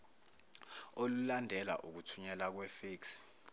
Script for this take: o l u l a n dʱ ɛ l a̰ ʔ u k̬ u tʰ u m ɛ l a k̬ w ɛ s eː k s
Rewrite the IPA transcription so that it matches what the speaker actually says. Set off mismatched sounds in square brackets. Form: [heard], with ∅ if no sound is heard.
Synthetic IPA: o l u l a n dʱ ɛ l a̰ ʔ u k̬ u tʰ u [ɲ] ɛ l a k̬ w ɛ [f] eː k s